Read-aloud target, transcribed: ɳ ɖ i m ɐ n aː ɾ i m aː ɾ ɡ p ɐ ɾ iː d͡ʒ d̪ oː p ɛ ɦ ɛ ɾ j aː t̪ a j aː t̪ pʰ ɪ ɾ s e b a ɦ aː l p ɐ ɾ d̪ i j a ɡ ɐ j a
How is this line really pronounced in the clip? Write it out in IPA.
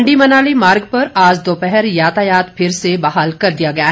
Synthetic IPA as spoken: ɳ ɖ i m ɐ n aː l i m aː ɾ ɡ p ɐ ɾ aː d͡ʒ d̪ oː p ɛ ɦ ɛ ɾ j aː t̪ a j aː t̪ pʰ ɪ ɾ s e b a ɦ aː l k ɐ ɾ d̪ i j a ɡ ɐ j a